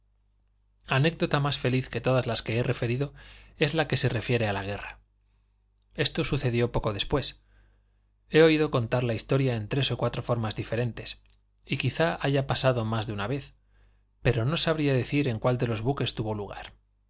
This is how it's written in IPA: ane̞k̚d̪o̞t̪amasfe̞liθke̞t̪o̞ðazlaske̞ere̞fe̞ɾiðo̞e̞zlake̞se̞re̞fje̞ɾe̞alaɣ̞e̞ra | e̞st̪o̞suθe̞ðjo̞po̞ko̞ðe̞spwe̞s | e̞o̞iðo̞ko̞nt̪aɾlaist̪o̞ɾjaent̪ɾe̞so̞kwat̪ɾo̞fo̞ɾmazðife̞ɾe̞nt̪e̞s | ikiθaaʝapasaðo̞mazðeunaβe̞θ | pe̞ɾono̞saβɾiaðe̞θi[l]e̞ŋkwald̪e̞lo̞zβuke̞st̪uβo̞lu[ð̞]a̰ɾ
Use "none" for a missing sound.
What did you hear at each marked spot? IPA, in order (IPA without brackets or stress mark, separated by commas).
ɾ, ɣ̞